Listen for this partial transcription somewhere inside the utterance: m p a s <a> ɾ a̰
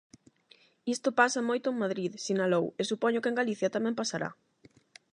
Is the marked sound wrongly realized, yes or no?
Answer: no